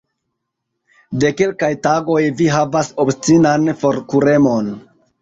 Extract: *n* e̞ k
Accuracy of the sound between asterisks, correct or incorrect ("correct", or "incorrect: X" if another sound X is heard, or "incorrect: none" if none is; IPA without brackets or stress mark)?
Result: incorrect: d